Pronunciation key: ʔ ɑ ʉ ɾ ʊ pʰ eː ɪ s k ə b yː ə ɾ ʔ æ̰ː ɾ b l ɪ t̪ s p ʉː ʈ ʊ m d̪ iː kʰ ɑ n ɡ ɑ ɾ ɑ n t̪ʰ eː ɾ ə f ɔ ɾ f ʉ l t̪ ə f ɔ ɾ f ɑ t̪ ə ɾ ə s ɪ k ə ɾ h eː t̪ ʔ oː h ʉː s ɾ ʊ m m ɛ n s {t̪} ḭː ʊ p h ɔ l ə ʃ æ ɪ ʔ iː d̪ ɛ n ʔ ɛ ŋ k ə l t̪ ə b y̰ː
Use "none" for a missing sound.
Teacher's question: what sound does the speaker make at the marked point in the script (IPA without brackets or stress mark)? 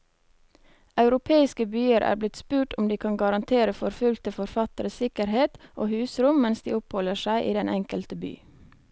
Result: d̪